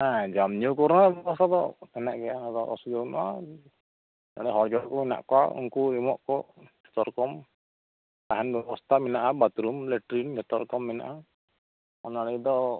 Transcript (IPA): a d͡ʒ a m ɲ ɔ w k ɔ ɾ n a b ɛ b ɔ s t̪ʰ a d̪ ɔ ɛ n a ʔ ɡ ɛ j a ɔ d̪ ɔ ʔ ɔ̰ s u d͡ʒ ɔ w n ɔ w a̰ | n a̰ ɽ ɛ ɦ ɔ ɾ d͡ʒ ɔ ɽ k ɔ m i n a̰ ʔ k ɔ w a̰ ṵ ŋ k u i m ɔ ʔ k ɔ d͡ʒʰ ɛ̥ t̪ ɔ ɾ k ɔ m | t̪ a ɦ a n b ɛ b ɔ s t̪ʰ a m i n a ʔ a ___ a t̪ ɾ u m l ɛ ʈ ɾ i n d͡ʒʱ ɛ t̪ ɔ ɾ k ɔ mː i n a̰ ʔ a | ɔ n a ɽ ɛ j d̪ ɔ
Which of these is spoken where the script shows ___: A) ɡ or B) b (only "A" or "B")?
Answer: B